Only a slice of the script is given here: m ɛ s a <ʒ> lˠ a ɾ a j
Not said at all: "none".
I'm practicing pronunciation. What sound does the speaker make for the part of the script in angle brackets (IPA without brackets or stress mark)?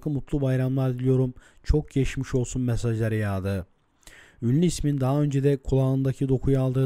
ʒ